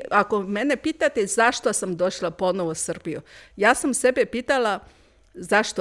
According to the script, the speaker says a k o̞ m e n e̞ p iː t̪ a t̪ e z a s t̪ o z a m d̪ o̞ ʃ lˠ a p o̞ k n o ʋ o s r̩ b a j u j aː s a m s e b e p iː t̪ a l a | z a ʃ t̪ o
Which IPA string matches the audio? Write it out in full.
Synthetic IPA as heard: a k o̞ m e n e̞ p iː t̪ a t̪ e z a ʃ t̪ o s a m d̪ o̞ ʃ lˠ a p o̞ n o ʋ o s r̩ b i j u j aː s a m s e b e p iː t̪ a l a | z a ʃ t̪ o